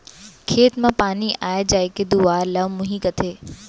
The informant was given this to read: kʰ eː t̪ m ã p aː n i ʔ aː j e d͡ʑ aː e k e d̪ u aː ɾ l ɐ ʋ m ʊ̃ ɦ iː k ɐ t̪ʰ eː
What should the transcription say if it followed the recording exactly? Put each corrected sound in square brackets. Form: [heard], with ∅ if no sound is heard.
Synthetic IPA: kʰ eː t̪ m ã p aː n i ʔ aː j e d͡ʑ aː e k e d̪ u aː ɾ l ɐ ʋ m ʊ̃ ɦ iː k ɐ t̪ʰ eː